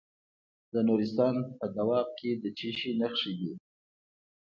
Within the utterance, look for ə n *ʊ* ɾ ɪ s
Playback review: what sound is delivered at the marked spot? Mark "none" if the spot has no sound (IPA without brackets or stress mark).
u